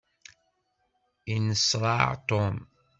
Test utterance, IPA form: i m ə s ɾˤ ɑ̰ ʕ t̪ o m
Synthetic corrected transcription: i n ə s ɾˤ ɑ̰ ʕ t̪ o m